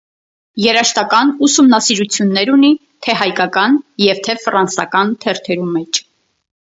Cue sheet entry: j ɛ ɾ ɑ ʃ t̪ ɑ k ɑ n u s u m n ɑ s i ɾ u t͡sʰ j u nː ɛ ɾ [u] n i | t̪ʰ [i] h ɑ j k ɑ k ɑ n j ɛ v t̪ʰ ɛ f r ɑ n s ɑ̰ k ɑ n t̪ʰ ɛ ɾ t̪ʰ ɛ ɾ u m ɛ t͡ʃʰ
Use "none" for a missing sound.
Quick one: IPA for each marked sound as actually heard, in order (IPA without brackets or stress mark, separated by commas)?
u, ɛ